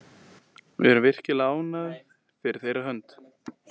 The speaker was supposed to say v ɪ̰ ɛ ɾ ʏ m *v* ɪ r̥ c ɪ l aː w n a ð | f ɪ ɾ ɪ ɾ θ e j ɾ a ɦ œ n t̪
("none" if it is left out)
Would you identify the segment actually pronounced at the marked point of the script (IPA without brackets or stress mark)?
v